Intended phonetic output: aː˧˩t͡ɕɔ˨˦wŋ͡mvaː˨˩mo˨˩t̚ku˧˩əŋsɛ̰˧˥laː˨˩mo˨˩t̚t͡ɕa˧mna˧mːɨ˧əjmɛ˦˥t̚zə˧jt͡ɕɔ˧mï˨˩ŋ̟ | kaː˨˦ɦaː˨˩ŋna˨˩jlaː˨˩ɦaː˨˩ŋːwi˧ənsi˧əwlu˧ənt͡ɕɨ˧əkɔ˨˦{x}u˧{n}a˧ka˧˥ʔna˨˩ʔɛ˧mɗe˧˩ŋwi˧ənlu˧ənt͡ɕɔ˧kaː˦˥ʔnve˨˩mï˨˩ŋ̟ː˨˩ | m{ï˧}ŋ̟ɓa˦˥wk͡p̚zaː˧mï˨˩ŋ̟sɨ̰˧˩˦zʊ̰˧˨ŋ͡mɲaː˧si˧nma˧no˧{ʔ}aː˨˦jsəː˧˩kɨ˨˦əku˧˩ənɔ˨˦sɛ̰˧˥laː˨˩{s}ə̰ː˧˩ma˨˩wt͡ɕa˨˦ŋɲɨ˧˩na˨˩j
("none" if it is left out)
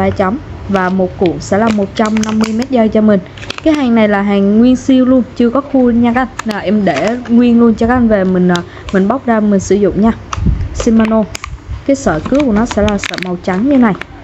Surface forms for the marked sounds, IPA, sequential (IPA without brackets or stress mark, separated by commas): x, ɲ, ï˨˩, k, s